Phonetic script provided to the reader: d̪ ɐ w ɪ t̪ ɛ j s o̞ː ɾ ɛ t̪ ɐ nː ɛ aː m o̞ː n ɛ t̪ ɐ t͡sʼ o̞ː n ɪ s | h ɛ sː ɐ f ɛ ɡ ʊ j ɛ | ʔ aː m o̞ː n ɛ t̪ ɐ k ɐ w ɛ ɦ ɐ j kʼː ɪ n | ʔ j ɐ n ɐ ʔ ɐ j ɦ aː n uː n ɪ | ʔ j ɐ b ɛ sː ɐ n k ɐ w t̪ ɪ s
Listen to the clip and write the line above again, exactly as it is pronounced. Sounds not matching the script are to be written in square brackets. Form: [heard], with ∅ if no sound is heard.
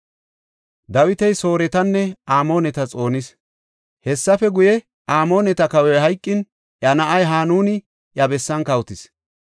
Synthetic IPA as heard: d̪ ɐ w ɪ t̪ ɛ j s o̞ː ɾ ɛ t̪ ɐ nː ɛ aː m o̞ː n ɛ t̪ ɐ t͡sʼ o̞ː n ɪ s | h ɛ sː ɐ f ɛ ɡ ʊ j ɛ | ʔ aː m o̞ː n ɛ t̪ ɐ k ɐ w ɛ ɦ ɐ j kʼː ɪ n | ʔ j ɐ n ɐ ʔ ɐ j ɦ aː n uː n ɪ | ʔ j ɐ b ɛ sː ɐ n k ɐ w t̪ ɪ s